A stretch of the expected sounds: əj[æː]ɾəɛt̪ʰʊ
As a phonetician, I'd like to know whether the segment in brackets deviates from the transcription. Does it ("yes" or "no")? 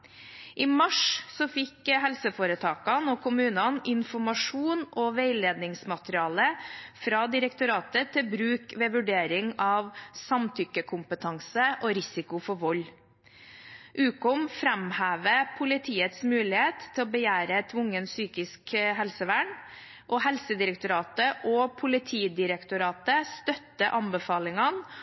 no